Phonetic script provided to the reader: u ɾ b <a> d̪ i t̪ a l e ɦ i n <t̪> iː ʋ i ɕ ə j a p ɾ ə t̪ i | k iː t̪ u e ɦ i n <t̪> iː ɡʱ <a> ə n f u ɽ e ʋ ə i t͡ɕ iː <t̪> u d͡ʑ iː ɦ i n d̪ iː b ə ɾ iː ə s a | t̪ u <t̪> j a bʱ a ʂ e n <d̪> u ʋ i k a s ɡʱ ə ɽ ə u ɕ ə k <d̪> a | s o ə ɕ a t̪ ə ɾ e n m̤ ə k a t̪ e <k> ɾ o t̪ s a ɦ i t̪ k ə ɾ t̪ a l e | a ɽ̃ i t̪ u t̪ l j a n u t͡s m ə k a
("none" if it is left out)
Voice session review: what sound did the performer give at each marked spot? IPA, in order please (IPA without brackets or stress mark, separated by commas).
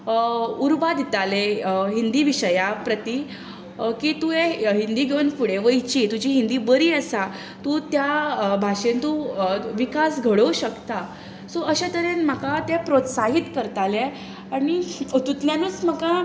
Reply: a, d̪, d̪, e, t̪, t̪, t̪, t̪, p